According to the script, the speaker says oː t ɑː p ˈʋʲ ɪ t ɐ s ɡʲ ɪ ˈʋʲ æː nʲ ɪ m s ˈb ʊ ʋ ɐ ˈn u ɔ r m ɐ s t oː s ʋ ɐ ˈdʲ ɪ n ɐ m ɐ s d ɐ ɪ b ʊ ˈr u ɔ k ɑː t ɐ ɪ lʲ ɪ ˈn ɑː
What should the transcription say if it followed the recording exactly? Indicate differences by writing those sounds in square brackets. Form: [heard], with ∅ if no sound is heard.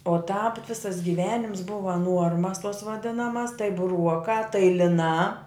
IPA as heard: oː t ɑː p ˈʋʲ ɪ [s] ɐ s ɡʲ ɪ ˈʋʲ æː nʲ ɪ m s ˈb ʊ ʋ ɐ ˈn u ɔ r m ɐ s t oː s ʋ ɐ ˈdʲ ɪ n ɐ m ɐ s [t] ɐ ɪ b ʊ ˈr u ɔ k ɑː t ɐ ɪ lʲ ɪ ˈn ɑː